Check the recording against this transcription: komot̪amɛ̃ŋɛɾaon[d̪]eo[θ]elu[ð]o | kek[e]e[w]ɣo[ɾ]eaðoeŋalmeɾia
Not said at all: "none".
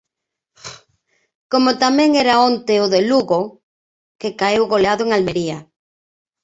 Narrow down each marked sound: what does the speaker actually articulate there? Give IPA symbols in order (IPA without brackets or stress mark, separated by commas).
t̪, ð, ɣ, a, w, l